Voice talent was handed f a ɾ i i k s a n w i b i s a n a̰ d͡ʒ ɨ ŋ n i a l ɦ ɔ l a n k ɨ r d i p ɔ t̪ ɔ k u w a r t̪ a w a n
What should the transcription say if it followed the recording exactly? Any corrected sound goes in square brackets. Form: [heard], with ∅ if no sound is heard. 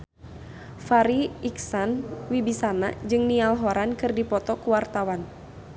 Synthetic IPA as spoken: f a ɾ i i k s a n w i b i s a n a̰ d͡ʒ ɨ ŋ n i a l ɦ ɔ [ɾ] a n k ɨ r d i p ɔ t̪ ɔ k u w a r t̪ a w a n